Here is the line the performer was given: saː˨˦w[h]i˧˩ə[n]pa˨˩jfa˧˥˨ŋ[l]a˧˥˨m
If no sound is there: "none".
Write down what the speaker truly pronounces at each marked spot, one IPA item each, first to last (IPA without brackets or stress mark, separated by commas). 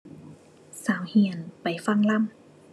h, n, l